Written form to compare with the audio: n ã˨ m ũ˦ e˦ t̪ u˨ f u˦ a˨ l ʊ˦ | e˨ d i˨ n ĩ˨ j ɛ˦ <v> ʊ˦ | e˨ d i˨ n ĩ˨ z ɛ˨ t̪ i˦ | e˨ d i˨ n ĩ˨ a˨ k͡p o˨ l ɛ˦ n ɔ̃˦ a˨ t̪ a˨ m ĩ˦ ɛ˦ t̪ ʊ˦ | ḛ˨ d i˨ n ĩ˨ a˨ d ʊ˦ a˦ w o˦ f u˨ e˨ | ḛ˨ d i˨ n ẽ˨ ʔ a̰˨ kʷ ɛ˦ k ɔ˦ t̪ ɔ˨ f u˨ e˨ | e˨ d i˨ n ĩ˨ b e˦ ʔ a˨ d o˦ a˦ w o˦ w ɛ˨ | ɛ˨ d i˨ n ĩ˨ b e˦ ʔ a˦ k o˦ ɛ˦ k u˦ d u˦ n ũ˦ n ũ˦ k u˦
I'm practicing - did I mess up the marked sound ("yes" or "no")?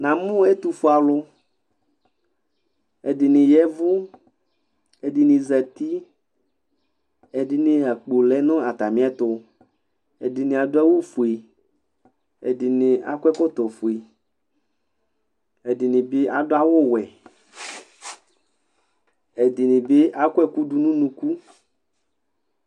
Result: no